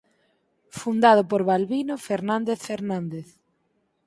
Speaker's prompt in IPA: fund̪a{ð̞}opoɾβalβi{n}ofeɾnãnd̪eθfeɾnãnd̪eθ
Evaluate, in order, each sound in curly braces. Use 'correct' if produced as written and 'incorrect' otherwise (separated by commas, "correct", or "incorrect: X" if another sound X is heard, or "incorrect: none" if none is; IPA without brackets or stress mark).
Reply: correct, correct